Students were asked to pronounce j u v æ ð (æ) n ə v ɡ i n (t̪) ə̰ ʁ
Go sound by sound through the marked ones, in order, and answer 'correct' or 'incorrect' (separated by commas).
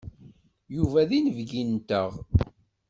incorrect, correct